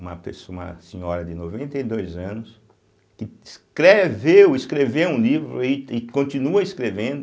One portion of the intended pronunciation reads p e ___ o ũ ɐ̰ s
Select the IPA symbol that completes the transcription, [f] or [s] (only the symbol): s